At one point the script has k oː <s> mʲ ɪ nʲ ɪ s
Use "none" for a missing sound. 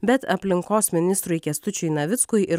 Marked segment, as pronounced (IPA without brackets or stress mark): s